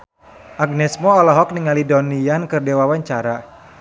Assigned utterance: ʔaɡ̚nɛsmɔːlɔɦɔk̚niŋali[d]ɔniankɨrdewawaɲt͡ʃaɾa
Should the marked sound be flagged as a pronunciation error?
no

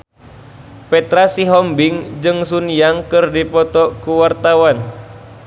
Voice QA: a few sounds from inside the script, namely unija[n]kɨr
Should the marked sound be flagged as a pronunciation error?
yes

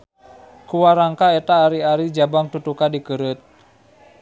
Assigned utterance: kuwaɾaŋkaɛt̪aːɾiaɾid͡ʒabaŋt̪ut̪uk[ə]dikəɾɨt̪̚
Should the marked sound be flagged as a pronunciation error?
yes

